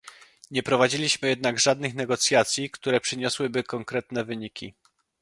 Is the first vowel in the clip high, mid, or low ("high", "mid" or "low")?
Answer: mid